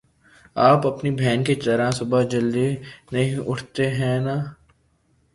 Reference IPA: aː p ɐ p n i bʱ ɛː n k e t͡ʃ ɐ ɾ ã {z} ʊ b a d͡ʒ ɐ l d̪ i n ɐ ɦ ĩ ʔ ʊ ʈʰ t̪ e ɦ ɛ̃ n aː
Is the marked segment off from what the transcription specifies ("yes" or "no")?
yes